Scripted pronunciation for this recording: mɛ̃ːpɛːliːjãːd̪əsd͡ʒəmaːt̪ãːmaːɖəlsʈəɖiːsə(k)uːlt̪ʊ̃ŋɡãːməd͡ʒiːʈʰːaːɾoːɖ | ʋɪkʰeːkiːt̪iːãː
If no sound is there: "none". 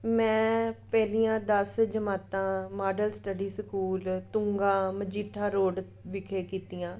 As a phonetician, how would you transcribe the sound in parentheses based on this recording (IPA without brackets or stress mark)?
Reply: k